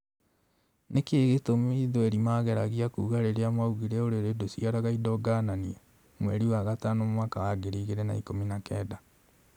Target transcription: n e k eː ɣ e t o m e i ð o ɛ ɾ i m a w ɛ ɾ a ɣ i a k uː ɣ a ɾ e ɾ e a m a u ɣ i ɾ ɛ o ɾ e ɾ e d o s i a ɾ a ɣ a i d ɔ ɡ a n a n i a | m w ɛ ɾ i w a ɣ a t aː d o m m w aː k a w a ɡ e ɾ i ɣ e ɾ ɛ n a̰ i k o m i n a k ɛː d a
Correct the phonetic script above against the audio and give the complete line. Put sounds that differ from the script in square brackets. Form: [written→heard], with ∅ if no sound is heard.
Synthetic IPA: n e k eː ɣ e t o m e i ð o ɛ ɾ i m a [w→ɣ] ɛ ɾ a ɣ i a k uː ɣ a ɾ e ɾ e a m a u ɣ i ɾ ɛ o ɾ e ɾ e d o s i a ɾ a ɣ a i d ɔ ɡ a n a n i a | m w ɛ ɾ i w a ɣ a t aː [d→n] o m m w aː k a w a ɡ e ɾ i ɣ e ɾ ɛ n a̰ i k o m i n a k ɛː d a